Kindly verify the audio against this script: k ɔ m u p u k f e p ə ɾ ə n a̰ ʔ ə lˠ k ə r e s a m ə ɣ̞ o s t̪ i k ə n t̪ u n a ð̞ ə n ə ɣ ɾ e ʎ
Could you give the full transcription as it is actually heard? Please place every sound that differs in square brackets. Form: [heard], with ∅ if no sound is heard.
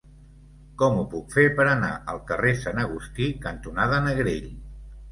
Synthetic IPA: k ɔ m u p u k f e p ə ɾ ə n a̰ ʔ ə lˠ k ə r e s a [n] ə ɣ̞ [u] s t̪ i k ə n t̪ u n a ð̞ ə n ə ɣ ɾ e ʎ